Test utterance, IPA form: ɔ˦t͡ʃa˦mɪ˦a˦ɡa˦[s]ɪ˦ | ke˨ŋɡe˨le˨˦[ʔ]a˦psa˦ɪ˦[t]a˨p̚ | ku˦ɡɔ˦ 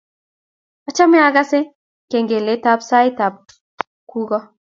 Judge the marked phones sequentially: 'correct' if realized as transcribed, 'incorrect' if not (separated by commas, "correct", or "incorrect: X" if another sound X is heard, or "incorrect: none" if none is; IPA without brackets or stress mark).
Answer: correct, incorrect: t, correct